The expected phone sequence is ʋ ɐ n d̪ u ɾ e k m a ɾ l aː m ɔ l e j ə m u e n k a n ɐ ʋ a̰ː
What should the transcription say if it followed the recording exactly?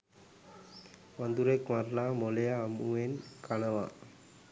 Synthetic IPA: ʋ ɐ n d̪ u ɾ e k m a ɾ l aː m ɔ l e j a m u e n k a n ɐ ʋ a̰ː